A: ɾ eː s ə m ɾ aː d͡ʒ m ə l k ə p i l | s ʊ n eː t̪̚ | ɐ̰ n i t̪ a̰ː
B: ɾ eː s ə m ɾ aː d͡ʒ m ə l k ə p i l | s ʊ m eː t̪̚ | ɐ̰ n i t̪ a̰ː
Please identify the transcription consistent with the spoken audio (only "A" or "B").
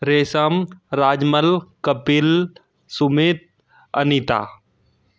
B